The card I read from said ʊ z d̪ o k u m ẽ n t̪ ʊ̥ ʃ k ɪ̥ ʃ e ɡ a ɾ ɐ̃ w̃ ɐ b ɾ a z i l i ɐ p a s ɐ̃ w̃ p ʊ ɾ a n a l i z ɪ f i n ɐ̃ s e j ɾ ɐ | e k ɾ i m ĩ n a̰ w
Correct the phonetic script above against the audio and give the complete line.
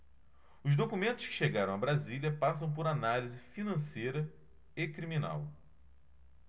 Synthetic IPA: ʊ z d̪ o k u m ẽ n t̪ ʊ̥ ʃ k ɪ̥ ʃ e ɡ a ɾ ɐ̃ w̃ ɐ b ɾ a z i l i ɐ p a s ɐ̃ w̃ p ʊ ɾ a n a l i z ɪ f i n ɐ̃ s e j ɾ ɐ | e k ɾ i m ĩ n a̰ w